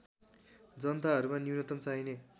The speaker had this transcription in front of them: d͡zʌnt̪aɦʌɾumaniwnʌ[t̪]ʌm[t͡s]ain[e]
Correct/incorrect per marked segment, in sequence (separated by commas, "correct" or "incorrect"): correct, correct, correct